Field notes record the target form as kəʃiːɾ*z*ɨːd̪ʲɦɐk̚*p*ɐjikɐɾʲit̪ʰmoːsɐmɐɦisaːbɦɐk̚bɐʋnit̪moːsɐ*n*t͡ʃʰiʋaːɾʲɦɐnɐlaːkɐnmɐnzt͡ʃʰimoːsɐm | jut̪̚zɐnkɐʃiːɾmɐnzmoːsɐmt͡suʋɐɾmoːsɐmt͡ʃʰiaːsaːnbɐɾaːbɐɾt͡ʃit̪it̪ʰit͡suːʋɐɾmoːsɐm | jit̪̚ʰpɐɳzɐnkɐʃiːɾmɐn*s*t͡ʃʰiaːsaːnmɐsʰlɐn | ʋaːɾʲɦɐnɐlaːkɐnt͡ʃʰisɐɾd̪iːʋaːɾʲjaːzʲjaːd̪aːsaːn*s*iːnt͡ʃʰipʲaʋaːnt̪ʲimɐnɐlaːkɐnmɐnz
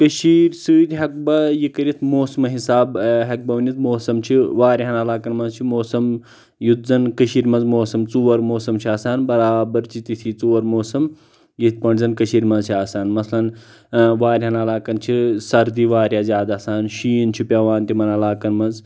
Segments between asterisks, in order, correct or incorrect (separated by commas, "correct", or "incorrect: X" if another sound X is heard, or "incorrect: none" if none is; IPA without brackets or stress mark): incorrect: s, incorrect: b, incorrect: m, incorrect: z, incorrect: ʃ